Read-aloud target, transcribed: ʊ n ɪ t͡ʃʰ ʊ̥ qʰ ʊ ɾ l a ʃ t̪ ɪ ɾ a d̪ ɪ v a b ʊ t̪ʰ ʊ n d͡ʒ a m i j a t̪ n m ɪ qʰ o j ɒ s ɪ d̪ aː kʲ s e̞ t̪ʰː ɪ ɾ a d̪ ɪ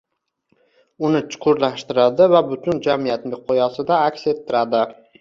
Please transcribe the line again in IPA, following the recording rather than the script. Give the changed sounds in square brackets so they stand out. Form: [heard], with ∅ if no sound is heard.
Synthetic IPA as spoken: ʊ n ɪ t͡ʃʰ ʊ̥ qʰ ʊ ɾ l a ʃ t̪ ɪ ɾ a d̪ ɪ v a b ʊ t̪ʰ ʊ n d͡ʒ a m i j a t̪ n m ɪ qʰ o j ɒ s ɪ d̪ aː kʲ s e̞ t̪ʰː ɪ ɾ a d̪ ɪ